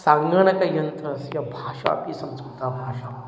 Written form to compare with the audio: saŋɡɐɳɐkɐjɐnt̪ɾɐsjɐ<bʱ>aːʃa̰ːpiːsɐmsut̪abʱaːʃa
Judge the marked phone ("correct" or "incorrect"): correct